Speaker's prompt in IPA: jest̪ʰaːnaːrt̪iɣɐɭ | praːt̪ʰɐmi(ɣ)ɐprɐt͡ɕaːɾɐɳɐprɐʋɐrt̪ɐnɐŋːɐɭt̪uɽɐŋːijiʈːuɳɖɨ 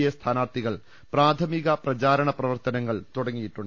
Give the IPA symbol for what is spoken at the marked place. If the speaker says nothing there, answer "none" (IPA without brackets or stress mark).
ɣ